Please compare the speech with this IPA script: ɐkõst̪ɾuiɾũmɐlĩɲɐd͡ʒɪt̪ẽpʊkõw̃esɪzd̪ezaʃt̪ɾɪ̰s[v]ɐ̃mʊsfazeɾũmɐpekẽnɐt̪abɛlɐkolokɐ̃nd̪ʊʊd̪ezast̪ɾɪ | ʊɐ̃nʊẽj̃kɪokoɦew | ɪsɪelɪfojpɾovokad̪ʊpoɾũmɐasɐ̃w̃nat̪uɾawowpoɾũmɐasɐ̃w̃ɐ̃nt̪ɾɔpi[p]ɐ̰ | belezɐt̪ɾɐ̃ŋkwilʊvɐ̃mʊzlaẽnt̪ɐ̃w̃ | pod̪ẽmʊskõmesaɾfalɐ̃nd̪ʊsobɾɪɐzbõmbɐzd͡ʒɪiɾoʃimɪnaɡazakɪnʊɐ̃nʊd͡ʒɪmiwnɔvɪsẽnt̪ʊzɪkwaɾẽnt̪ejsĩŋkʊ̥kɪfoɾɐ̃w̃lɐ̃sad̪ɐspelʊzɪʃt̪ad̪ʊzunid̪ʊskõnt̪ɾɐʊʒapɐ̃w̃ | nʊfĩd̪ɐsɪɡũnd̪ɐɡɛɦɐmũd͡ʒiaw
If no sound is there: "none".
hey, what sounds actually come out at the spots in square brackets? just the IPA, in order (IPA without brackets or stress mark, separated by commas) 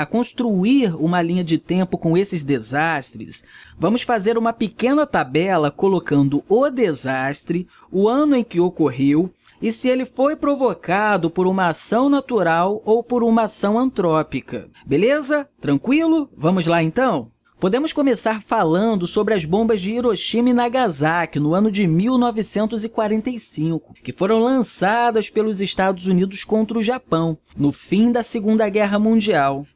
v, k